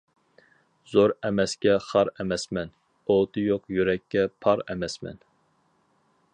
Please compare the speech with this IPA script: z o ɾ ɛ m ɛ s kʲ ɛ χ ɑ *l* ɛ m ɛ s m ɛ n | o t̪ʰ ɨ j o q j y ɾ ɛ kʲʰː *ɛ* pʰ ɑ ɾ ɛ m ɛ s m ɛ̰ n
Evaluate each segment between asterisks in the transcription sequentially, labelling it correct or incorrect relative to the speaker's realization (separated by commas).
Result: incorrect, correct